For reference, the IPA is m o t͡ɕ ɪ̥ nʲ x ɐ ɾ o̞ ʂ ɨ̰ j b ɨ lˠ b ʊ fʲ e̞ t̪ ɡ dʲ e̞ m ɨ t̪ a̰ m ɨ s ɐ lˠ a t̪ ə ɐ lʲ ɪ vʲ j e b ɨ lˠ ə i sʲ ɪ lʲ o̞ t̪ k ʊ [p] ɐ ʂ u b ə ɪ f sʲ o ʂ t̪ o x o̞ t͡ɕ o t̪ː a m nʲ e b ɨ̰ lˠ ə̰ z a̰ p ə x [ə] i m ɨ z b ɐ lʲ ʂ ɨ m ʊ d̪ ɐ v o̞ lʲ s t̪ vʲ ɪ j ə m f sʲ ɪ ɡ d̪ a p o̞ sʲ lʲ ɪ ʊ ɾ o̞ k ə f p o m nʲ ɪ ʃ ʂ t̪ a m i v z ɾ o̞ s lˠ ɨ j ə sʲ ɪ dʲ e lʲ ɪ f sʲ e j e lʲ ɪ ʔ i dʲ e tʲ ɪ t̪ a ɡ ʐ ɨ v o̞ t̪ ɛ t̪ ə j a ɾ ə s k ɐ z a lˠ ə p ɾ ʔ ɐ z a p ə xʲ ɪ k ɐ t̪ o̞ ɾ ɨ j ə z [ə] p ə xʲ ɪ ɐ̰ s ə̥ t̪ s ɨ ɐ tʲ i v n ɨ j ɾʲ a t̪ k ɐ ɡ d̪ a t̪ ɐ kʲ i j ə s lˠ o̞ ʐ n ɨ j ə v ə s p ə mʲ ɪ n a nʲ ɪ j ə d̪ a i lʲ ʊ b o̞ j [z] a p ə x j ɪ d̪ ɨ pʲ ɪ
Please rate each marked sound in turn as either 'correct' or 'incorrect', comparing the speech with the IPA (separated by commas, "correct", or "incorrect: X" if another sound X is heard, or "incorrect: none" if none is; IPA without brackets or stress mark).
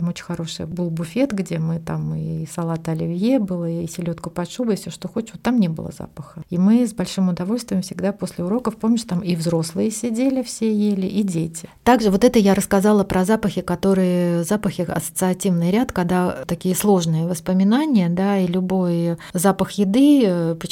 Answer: correct, correct, incorrect: a, correct